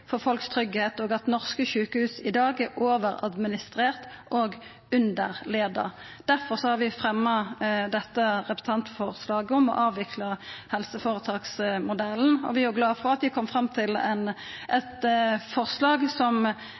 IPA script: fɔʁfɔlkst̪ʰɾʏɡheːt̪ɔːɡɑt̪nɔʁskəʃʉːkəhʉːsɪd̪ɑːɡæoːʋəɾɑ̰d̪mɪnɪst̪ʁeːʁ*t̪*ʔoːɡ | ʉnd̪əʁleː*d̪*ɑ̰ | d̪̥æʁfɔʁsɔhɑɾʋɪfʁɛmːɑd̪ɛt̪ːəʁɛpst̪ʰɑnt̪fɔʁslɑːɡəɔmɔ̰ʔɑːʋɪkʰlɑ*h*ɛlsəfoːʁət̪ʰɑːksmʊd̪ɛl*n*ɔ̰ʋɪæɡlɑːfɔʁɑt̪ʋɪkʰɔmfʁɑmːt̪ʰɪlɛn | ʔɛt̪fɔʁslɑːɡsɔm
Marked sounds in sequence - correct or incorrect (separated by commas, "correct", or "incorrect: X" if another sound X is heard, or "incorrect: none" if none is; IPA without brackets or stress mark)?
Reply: correct, correct, correct, correct